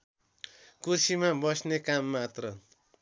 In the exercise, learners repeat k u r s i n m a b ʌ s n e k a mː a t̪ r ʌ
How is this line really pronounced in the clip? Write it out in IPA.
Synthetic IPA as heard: k u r s i m a b ʌ s n e k a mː a t̪ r ʌ